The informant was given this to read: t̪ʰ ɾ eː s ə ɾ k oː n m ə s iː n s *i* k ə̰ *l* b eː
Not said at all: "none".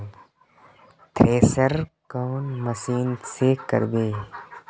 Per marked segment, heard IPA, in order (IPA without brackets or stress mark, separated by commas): e, ɾ